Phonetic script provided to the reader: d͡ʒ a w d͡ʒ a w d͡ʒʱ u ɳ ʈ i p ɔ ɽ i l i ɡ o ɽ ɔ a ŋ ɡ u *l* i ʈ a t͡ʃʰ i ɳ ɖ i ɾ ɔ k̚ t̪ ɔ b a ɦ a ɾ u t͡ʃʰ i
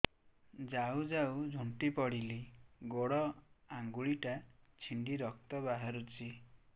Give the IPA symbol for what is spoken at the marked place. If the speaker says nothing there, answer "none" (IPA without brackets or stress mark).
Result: ɭ